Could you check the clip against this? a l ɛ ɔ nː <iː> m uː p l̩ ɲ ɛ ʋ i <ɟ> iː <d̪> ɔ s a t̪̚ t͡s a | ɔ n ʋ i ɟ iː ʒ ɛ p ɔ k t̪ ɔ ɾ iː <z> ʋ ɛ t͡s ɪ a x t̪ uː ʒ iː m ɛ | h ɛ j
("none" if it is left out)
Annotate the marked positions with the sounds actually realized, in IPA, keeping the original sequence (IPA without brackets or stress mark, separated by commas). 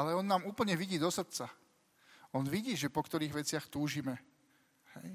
aː, ɟ, d̪, ɣ